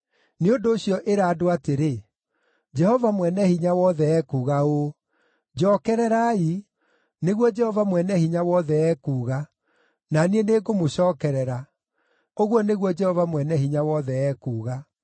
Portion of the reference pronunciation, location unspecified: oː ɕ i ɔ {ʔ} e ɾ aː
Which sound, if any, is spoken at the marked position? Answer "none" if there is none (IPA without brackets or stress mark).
ʔ